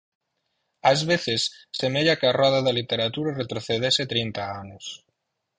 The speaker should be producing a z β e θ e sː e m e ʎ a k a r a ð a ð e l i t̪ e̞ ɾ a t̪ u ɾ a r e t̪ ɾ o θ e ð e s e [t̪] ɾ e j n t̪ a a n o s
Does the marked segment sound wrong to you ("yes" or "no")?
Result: no